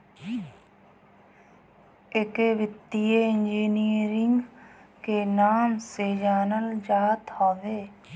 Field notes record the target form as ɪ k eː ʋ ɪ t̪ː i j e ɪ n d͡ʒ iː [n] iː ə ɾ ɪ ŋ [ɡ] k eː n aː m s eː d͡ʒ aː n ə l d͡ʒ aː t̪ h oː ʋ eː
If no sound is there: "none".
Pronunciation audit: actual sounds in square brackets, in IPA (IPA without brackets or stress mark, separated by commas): n, ɡ